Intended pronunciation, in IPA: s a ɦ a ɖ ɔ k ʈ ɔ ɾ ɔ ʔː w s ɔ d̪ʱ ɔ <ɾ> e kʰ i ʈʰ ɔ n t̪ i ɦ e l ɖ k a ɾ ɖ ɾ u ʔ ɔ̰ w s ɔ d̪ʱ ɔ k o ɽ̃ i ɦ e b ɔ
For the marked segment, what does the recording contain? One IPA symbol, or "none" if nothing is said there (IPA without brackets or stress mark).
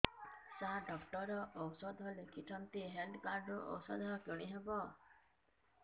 l